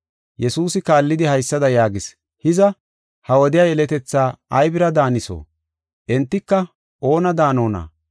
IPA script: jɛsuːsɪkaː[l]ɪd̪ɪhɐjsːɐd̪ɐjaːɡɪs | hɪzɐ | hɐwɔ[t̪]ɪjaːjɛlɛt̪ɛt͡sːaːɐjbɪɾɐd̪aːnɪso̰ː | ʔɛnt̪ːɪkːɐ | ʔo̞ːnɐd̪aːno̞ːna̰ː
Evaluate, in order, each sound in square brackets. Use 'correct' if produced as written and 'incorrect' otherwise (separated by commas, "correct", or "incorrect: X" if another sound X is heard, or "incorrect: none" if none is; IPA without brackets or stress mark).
incorrect: lː, incorrect: d̪